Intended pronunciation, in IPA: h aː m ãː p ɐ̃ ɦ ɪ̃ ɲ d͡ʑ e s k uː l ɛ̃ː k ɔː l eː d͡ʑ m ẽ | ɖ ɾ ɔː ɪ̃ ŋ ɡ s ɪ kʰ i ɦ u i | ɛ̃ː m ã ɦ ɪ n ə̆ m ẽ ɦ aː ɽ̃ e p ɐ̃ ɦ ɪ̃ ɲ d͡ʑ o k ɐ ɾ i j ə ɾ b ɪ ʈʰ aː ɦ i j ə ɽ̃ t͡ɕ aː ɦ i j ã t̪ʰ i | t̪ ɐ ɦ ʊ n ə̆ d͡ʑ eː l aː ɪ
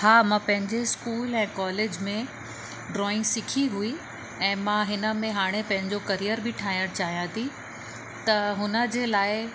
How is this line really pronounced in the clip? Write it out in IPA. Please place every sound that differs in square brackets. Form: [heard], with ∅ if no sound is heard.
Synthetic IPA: h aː m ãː p ɐ̃ ɦ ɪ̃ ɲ d͡ʑ e s k uː l ɛ̃ː k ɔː l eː d͡ʑ m ẽ | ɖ ɾ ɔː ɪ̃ ŋ ɡ s ɪ kʰ i ɦ u i | ɛ̃ː m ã ɦ ɪ n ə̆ m ẽ ɦ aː ɽ̃ e p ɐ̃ ɦ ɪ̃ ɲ d͡ʑ o k ɐ ɾ i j ə ɾ b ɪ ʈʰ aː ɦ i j ə ɽ̃ t͡ɕ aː ɦ i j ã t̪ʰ i | t̪ ɐ ɦ ʊ n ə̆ d͡ʑ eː l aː ɪ